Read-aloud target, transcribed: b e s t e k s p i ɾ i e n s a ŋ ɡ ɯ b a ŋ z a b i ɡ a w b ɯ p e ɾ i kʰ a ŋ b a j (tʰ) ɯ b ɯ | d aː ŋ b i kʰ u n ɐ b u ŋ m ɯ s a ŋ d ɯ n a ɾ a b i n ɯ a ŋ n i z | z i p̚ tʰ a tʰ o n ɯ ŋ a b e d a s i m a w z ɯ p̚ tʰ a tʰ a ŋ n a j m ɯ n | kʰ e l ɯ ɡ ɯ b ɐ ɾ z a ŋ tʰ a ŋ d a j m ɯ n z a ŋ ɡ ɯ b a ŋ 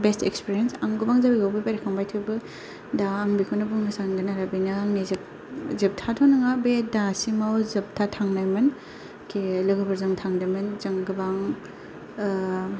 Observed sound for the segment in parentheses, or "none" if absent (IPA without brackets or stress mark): tʰ